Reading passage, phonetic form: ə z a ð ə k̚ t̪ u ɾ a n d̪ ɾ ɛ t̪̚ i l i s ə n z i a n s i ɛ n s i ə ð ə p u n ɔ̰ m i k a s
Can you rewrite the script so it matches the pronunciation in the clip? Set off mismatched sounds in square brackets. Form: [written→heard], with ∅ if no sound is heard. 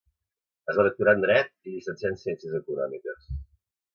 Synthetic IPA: ə z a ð ə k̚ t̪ u ɾ a n d̪ ɾ ɛ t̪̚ i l i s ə n [z→s] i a n s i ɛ n s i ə [ð→z] ə [p→k] u n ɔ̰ m i k [a→ə] s